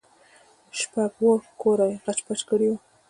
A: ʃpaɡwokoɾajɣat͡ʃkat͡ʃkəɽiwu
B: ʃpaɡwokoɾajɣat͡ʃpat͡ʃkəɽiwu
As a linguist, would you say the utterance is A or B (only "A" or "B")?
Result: B